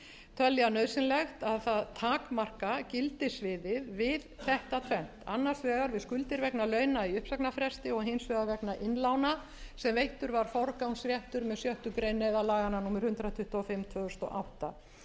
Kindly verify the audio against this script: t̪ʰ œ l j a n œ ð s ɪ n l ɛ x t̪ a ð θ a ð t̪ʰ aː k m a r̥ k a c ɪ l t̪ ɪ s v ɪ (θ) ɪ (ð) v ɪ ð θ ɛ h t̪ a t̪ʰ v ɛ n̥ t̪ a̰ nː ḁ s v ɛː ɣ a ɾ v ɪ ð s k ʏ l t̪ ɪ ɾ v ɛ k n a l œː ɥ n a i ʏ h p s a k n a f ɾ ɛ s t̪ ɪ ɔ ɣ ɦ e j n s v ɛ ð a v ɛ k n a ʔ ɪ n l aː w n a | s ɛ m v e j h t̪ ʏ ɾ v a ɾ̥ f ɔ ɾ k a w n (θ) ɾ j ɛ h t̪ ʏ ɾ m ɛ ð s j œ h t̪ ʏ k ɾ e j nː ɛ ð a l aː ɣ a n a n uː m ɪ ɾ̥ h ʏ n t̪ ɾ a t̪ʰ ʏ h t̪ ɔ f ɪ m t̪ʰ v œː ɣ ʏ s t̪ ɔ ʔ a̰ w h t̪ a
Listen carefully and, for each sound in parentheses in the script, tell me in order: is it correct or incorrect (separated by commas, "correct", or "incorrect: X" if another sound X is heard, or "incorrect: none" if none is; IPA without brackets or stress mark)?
incorrect: ð, correct, incorrect: s